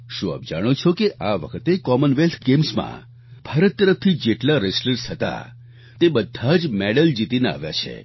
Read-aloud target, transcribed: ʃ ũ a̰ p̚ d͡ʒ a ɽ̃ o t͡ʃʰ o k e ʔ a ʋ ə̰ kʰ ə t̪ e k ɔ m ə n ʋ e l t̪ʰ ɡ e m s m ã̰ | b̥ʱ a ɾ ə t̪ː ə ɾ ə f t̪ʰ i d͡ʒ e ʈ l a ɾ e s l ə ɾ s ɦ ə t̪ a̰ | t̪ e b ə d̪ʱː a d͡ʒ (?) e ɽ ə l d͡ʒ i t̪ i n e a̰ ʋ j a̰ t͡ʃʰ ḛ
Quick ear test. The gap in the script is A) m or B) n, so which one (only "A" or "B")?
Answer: A